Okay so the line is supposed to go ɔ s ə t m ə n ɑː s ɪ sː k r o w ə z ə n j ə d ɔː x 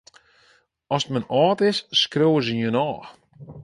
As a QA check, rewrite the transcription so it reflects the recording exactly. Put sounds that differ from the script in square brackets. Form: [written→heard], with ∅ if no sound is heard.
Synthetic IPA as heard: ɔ s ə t m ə n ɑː [s→t] ɪ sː k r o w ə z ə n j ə [d→n] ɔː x

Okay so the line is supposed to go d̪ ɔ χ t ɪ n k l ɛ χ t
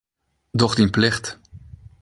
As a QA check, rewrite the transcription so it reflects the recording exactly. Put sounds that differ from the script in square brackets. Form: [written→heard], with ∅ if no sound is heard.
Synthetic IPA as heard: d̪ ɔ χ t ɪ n [k→p] l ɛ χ t

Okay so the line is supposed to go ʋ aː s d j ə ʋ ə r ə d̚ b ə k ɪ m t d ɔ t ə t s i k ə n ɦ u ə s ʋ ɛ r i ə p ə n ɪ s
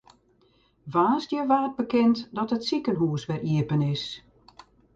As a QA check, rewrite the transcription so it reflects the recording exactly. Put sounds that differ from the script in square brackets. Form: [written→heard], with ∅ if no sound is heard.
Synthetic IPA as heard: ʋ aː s d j ə ʋ [ə→a] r ə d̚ b ə k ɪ [m→n] t d ɔ t ə t s i k ə n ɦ u ə s ʋ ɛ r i ə p ə n ɪ s

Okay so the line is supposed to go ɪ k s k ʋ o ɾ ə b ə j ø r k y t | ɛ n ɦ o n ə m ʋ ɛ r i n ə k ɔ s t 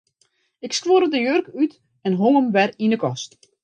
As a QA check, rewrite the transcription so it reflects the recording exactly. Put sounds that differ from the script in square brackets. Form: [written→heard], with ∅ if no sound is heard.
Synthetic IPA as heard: ɪ k s k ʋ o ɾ ə [b→d] ə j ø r k y t | ɛ n ɦ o [n→ŋ] ə m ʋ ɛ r i n ə k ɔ s t

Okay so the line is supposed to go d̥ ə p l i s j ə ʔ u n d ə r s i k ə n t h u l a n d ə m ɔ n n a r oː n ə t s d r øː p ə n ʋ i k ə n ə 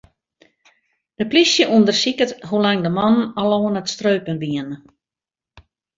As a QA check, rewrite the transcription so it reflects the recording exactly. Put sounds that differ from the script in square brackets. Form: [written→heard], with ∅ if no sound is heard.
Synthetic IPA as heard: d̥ ə p l i s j ə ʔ u n d ə r s i k ə [n→∅] t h u l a [n→ŋ] d ə m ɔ n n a [r→l] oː n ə t s [d→t] r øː p ə n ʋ i [k→∅] ə n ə

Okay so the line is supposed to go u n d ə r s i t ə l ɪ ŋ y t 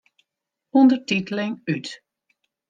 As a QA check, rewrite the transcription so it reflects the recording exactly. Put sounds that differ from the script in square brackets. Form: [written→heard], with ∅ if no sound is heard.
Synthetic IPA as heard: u n d ə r [s→t] i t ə l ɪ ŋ y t

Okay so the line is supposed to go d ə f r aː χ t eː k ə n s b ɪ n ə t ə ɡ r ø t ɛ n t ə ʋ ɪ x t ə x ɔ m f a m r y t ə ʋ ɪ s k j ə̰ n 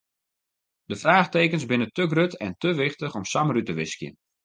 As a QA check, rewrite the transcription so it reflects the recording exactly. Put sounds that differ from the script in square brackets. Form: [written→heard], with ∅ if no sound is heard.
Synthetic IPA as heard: d ə f r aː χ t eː k ə n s b ɪ n ə t ə ɡ r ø t ɛ n t ə ʋ ɪ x t ə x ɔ m [f→s] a m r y t ə ʋ ɪ s k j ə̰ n

